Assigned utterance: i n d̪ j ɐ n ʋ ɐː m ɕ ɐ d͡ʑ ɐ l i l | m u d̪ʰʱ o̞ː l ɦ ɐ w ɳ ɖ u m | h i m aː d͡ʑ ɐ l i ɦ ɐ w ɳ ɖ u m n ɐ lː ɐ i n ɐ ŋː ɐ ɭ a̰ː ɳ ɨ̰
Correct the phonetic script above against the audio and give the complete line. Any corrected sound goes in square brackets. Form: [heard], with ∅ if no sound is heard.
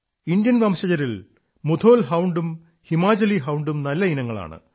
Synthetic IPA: i n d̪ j ɐ n ʋ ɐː m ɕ ɐ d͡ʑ ɐ [ɾ] i l | m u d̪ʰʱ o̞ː l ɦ ɐ w ɳ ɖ u m | h i m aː d͡ʑ ɐ l i ɦ ɐ w ɳ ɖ u m n ɐ lː ɐ i n ɐ ŋː ɐ ɭ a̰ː ɳ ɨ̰